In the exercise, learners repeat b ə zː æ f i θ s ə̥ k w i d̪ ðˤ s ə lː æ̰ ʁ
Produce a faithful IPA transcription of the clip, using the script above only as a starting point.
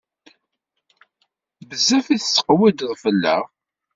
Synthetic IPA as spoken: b ə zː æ f i θ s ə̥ q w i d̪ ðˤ f ə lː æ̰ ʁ